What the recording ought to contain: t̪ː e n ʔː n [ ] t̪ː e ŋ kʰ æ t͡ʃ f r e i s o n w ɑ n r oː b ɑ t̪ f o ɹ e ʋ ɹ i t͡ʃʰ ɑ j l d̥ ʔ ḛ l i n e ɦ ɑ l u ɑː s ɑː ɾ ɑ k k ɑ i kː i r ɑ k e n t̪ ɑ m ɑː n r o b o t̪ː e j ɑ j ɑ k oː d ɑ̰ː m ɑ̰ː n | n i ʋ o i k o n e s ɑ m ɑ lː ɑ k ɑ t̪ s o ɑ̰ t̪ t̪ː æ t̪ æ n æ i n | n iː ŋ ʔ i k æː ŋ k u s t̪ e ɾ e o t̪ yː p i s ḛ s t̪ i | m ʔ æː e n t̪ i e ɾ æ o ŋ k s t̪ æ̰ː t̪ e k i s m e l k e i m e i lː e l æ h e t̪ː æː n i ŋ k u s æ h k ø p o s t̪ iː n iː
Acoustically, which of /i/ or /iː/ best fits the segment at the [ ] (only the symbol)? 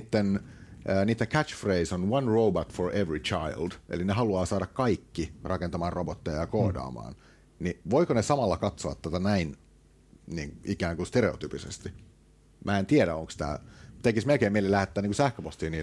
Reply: iː